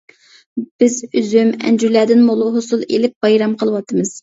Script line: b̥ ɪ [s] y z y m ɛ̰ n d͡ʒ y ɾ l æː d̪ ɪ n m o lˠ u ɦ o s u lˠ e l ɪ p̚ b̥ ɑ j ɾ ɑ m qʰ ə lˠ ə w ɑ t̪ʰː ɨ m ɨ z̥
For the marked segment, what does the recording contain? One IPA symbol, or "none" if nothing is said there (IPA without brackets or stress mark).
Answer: z